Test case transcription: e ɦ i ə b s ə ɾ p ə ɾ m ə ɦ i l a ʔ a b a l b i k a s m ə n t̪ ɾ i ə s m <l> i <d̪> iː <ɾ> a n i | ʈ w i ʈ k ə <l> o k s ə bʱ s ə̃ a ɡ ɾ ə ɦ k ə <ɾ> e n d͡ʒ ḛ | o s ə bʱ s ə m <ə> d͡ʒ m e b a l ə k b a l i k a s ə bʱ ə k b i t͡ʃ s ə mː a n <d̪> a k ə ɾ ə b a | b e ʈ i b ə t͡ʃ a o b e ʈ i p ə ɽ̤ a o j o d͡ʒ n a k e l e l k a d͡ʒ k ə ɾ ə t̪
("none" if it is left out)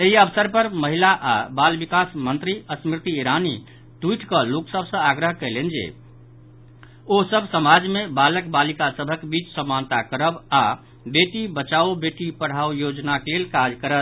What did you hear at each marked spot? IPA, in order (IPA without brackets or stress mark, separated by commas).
ɾ, t̪, ɾ, l, l, a, t̪